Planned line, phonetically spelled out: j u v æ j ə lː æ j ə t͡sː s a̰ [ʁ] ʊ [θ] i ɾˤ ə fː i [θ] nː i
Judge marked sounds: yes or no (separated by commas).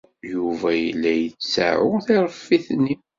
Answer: no, yes, yes